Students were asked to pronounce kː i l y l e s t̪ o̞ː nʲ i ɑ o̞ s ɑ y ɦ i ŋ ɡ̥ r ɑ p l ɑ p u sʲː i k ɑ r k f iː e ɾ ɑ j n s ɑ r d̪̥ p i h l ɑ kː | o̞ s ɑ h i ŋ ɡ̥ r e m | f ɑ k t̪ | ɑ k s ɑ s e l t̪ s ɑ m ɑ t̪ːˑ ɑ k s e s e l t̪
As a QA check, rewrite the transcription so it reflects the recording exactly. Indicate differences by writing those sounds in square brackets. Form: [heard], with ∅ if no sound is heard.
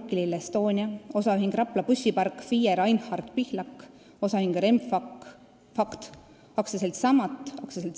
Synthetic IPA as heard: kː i l [i] l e s t̪ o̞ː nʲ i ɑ o̞ s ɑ y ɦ i ŋ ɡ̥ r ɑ p l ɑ p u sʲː i [p] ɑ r k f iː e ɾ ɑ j n [h] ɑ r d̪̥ p i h l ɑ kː | o̞ s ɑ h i ŋ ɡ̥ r e m | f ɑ k t̪ | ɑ k s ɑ s e l t̪ s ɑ m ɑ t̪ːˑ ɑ k s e s e l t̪